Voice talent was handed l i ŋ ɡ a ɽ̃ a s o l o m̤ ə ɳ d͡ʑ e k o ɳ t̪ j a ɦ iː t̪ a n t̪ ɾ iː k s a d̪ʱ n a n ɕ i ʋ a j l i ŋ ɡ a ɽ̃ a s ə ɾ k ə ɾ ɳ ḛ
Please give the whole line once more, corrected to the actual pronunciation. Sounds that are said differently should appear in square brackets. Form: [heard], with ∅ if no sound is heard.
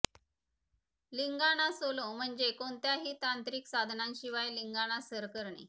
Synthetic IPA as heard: l i ŋ ɡ a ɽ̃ a s o l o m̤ ə ɳ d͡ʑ e k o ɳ t̪ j a ɦ iː t̪ a n t̪ ɾ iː k s a d̪ʱ n a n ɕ i ʋ a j l i ŋ ɡ a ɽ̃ a s ə ɾ k ə ɾ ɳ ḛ